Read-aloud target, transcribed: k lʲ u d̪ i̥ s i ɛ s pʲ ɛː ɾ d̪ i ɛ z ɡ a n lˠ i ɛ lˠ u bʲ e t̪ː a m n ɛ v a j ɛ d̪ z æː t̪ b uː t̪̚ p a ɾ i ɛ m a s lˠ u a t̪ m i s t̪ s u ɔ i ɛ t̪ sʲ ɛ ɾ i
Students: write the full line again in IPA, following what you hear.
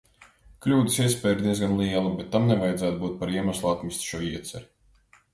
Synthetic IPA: k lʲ uː d̪ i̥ s i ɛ s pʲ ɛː ɾ d̪ i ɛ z ɡ a n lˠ i ɛ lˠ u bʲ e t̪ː a m n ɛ v a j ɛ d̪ z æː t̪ b uː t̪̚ p a ɾ i ɛ m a s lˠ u a t̪ m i s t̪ ʃ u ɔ i ɛ t̪ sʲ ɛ ɾ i